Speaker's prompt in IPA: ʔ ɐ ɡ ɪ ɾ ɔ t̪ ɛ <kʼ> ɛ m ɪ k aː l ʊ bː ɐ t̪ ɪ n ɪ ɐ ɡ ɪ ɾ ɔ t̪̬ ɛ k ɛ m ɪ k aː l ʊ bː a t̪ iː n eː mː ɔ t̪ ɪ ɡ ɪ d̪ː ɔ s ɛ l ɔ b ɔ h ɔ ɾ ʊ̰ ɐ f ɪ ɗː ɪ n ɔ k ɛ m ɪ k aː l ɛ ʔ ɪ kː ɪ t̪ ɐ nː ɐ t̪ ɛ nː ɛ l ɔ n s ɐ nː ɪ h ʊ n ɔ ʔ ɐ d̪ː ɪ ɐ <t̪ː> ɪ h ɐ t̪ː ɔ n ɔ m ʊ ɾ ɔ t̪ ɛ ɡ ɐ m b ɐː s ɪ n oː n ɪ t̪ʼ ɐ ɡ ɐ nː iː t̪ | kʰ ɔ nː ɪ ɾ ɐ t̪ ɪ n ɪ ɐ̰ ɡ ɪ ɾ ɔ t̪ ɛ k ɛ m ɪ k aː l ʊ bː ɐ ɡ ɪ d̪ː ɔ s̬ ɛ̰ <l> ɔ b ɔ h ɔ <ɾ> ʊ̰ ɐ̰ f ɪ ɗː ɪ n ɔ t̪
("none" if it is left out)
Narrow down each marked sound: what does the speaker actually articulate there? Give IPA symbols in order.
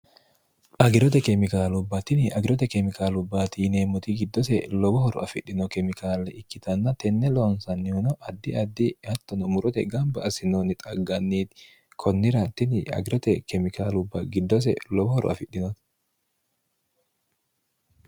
k, d̪ː, l, ɾ

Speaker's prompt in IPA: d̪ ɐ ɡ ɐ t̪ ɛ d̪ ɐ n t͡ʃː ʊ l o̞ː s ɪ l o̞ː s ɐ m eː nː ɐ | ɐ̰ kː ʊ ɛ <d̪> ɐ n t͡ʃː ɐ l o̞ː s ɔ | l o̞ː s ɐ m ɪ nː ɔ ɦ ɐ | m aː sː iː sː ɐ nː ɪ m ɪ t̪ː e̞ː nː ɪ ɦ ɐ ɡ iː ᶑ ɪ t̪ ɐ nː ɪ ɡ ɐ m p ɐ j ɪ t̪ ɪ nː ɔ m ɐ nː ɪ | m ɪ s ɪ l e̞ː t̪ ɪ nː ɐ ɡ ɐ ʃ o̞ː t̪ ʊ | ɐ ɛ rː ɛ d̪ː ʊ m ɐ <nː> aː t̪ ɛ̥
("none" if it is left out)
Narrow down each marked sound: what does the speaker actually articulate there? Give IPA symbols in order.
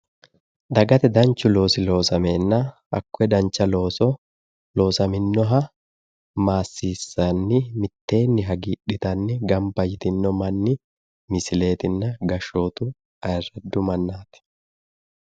d̪, nː

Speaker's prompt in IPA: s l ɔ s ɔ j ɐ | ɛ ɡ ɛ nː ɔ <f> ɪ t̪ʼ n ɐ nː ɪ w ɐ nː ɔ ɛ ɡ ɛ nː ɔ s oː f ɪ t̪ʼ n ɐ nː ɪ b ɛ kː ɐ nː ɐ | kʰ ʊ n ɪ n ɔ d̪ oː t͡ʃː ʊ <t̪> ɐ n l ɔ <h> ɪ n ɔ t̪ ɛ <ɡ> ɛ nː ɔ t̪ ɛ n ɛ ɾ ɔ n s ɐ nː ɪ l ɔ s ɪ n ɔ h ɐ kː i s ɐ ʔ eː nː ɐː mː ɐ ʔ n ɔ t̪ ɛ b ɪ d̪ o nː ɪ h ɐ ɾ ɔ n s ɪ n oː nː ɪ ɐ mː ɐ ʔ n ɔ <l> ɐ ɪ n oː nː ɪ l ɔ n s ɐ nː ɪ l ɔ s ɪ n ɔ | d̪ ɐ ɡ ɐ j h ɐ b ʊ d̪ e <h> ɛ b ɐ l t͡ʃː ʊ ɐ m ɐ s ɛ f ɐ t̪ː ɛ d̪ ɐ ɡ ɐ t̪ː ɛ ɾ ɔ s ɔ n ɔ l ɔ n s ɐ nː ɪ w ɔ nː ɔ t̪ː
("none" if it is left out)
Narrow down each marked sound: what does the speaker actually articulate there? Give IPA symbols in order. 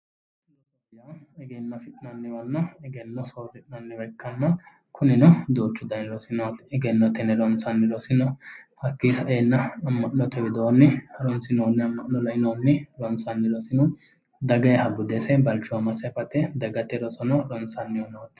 f, d̪, s, ɡ, l, s

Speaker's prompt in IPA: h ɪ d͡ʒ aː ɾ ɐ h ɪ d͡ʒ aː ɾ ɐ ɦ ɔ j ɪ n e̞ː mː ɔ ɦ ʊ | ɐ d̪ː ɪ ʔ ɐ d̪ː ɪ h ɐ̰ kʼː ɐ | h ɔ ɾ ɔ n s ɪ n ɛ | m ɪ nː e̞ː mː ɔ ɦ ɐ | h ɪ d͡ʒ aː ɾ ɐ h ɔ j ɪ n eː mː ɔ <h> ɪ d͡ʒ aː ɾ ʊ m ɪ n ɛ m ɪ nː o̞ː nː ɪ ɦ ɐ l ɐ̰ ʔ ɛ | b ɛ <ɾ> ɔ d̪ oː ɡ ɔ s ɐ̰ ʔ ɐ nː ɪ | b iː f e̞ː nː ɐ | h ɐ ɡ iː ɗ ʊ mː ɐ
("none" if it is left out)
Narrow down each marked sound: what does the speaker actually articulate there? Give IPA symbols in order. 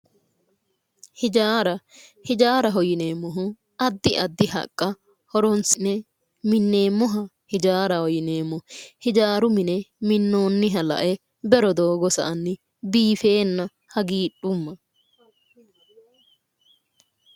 h, ɾ

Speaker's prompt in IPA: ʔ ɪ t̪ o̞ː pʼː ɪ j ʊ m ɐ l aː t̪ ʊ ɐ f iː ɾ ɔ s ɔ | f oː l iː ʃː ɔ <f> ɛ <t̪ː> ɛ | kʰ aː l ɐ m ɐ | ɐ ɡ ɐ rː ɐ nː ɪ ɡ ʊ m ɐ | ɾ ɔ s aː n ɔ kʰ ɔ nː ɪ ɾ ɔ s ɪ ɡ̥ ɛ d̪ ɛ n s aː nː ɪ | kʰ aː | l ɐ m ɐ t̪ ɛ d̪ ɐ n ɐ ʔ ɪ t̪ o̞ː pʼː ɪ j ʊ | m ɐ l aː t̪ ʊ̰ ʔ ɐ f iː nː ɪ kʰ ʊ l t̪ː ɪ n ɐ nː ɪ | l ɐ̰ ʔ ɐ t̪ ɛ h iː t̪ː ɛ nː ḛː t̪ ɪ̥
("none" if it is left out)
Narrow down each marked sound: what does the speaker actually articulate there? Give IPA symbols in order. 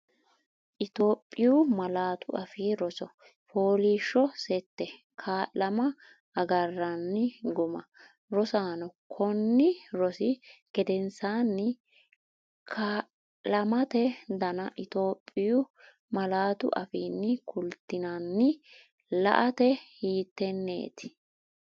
s, t̪ː

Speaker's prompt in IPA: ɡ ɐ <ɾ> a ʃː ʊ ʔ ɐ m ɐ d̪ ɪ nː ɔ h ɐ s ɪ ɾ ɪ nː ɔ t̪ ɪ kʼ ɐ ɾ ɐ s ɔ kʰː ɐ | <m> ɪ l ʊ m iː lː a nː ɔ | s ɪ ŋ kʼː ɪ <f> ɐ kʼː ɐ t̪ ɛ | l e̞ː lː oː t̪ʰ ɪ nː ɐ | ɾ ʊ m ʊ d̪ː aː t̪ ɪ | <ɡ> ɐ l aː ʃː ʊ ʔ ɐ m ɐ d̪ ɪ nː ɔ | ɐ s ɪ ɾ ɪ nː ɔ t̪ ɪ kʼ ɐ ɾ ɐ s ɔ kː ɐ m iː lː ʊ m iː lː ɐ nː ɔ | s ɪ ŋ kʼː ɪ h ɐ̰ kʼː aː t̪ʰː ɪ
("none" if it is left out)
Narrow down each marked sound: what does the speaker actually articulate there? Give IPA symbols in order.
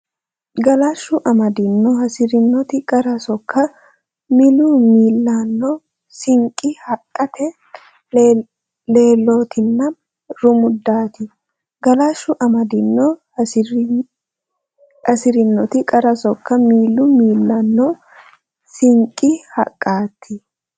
l, m, h, ɡ

